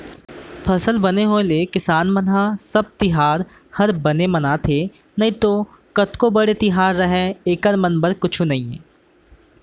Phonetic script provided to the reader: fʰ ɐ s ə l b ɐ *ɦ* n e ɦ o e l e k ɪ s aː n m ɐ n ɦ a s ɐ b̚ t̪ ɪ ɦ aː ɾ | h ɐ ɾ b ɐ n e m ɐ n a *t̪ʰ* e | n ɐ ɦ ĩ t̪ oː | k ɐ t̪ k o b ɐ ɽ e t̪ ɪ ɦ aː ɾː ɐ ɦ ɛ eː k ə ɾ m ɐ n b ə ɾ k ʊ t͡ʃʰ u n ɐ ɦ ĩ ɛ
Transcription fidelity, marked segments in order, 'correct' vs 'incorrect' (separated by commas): incorrect, correct